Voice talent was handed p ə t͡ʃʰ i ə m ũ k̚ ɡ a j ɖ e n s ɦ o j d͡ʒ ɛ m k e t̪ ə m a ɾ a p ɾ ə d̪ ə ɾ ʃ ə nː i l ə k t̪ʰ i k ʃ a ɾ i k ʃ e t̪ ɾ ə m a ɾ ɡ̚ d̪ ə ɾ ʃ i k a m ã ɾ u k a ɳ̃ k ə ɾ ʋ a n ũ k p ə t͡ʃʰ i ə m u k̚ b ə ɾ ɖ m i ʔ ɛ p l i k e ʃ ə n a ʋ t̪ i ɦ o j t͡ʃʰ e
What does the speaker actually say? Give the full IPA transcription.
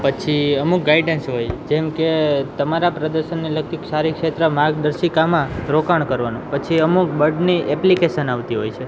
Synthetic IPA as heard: p ə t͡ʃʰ i ə m u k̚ ɡ a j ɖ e n s ɦ o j d͡ʒ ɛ m k e t̪ ə m a ɾ a p ɾ ə d̪ ə ɾ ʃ ə nː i l ə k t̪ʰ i k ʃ a ɾ i k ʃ e t̪ ɾ ə m a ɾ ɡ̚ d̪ ə ɾ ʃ i k a m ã ɾ o k a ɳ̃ k ə ɾ ʋ a n ũ p ə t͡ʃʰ i ə m u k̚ b ə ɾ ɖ n i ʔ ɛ p l i k e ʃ ə n a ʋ t̪ i ɦ o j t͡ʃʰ e